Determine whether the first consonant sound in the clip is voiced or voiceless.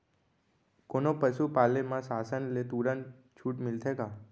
voiceless